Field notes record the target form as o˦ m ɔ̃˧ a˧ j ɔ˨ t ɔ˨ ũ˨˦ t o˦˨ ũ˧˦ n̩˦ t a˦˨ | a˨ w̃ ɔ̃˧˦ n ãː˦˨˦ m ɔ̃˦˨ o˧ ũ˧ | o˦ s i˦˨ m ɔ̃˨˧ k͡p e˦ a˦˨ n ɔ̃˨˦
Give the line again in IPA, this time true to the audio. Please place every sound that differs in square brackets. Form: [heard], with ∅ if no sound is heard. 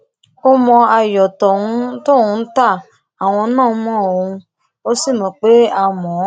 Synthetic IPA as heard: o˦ m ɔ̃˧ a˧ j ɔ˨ t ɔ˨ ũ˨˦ t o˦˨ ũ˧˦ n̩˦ t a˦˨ | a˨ w̃ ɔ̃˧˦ n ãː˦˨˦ m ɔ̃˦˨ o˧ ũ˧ | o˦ s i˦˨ m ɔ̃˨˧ k͡p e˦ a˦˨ [m] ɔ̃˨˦